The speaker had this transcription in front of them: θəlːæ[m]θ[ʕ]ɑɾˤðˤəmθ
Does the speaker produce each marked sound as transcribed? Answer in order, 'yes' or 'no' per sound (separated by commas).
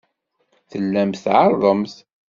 yes, yes